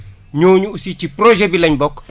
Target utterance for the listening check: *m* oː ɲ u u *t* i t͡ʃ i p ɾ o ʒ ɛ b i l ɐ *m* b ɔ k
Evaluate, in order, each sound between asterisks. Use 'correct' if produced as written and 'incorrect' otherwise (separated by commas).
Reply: incorrect, incorrect, incorrect